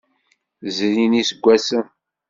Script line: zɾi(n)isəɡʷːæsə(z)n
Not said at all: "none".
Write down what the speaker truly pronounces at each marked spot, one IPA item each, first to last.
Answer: n, none

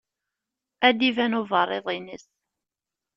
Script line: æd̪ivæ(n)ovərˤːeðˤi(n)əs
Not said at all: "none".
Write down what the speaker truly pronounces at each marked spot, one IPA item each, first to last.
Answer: n, n

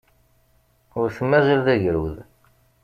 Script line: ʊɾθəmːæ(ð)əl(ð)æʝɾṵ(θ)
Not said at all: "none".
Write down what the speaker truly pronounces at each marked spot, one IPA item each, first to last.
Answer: z, ð, ð

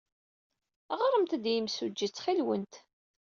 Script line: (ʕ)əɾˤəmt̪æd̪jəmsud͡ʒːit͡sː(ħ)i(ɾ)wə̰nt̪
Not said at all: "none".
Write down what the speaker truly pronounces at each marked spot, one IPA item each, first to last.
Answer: ʁ, χ, l

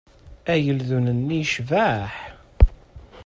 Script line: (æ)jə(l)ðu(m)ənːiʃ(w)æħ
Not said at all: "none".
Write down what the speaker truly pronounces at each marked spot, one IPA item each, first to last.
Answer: æ, l, n, v

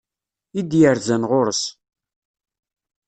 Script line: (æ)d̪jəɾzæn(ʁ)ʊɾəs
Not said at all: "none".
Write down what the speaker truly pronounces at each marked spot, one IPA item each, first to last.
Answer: i, ʁ

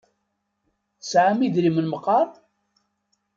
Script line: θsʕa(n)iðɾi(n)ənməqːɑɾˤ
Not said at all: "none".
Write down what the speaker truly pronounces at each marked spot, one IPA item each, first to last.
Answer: m, m

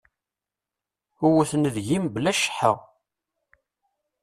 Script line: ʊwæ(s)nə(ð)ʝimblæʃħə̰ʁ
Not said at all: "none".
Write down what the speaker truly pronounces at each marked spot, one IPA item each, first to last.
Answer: θ, ð

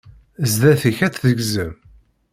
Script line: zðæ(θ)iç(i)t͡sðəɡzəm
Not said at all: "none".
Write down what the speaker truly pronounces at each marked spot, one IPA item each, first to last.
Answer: θ, æ

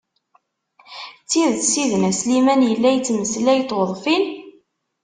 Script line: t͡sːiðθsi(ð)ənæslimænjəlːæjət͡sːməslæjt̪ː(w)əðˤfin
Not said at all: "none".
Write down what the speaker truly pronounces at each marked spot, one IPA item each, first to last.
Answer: ð, w

